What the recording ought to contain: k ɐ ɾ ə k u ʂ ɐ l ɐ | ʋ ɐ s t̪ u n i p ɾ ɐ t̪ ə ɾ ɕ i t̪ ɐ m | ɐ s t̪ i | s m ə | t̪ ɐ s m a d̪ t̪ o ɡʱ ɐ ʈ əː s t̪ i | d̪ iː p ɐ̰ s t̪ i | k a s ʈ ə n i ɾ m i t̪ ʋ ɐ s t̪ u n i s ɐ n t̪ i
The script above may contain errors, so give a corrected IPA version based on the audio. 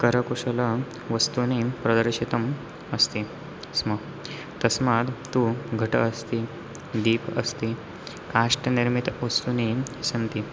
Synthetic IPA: k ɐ ɾ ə k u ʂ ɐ l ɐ | ʋ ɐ s t̪ u n i p ɾ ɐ d̪ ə ɾ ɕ i t̪ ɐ m | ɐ s t̪ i | s m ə | t̪ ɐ s m a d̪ t̪ u ɡʱ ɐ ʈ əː s t̪ i | d̪ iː p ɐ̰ s t̪ i | k a ʂ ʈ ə n i ɾ m i t̪ ʋ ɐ s t̪ u n i s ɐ n t̪ i